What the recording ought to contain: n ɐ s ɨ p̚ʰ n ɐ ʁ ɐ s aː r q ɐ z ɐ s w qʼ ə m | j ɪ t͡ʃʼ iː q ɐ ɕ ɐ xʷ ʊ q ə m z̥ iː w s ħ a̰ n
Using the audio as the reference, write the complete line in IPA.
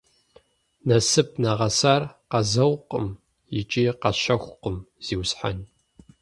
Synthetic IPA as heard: n ɐ s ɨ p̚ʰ n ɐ ʁ ɐ s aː r q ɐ z ɐ w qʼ ə m | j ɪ t͡ʃʼ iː q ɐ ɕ ɐ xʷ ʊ q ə m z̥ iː w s ħ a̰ n